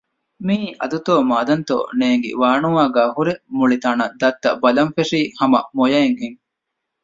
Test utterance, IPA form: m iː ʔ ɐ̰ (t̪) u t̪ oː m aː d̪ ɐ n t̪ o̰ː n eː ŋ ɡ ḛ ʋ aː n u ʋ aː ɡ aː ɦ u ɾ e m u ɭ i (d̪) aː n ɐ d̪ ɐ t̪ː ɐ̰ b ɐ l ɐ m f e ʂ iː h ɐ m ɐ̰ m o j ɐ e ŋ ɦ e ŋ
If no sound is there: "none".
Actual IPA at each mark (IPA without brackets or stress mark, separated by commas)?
d̪, t̪